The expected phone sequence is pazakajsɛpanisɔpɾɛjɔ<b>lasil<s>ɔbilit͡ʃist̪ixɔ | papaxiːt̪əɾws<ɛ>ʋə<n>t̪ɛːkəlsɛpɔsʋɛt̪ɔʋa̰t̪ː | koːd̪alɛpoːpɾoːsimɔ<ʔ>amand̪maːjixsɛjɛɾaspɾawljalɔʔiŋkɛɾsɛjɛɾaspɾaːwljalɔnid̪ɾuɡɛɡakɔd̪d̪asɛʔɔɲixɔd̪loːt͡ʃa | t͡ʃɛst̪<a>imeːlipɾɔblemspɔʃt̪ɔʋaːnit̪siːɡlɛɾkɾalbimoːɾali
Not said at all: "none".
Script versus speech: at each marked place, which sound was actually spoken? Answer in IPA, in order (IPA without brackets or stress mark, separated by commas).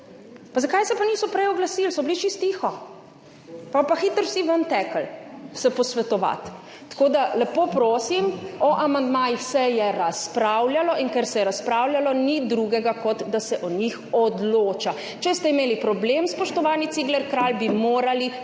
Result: ɡ, s, i, n, ʔ, ɛ